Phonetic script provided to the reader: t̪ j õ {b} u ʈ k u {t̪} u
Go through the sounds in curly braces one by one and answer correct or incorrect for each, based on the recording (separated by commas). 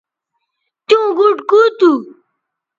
incorrect, correct